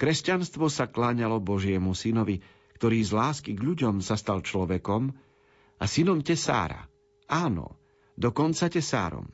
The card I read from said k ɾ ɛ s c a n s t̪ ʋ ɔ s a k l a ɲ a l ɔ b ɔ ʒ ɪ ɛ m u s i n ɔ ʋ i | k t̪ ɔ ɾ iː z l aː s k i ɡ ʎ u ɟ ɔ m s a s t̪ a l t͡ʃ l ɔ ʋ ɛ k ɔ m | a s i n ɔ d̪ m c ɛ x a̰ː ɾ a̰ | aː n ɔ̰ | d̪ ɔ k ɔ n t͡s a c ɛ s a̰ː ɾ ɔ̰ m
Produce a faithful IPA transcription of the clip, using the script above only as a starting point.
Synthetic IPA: k ɾ ɛ s c a n s t̪ ʋ ɔ s a k l a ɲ a l ɔ b ɔ ʒ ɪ ɛ m u s i n ɔ ʋ i | k t̪ ɔ ɾ iː z l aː s k i ɡ ʎ u ɟ ɔ m s a s t̪ a l t͡ʃ l ɔ ʋ ɛ k ɔ m | a s i n ɔ m c ɛ s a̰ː ɾ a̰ | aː n ɔ̰ | d̪ ɔ k ɔ n t͡s a c ɛ s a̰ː ɾ ɔ̰ m